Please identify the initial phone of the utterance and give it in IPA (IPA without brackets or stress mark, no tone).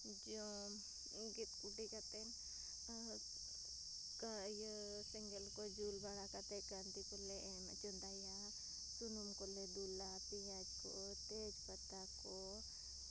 d͡ʒ